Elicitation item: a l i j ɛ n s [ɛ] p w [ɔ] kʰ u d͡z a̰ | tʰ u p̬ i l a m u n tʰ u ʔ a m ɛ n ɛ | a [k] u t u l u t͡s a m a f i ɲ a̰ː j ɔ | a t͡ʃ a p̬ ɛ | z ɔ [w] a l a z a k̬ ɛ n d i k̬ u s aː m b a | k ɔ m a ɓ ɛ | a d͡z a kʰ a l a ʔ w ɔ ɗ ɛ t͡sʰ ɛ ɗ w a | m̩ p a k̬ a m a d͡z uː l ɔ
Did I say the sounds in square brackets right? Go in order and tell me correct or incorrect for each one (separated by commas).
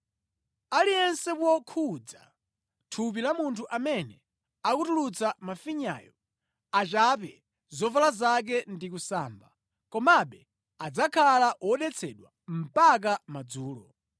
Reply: correct, correct, correct, incorrect